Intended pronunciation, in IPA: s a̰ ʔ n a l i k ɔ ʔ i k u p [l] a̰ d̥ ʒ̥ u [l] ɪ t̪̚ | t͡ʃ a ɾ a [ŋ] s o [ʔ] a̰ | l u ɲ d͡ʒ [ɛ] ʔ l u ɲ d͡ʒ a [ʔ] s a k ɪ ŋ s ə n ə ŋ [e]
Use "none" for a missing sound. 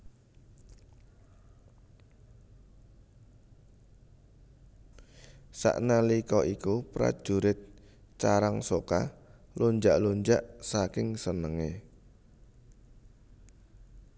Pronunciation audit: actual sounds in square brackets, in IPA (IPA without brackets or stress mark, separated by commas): ɾ, ɾ, ŋ, k, a, ʔ, e